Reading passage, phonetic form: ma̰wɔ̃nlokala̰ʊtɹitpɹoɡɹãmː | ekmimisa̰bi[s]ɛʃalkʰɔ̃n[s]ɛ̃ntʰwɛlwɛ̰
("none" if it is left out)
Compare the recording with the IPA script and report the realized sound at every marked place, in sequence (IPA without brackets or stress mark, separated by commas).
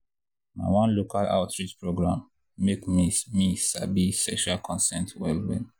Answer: s, s